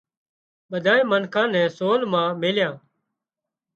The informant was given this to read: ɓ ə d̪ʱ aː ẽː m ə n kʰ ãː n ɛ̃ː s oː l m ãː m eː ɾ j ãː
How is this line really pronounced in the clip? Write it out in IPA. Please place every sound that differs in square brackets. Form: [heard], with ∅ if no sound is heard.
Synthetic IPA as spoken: ɓ ə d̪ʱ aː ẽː m ə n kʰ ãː n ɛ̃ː s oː l m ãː m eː [l] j ãː